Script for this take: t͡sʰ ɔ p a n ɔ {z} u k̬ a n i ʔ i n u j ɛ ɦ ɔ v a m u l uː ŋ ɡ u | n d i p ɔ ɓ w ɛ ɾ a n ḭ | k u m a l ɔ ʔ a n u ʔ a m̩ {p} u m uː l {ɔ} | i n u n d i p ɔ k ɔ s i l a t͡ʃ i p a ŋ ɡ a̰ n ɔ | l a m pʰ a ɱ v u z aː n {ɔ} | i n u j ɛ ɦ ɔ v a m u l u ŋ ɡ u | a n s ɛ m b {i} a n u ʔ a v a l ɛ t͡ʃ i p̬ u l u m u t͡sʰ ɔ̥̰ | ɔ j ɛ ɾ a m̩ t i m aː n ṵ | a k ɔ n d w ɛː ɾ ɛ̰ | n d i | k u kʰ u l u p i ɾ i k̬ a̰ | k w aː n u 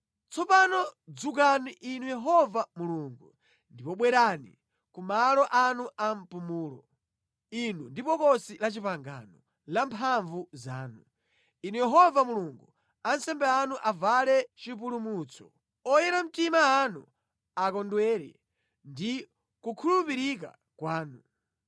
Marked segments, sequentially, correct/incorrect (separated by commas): incorrect, correct, correct, incorrect, incorrect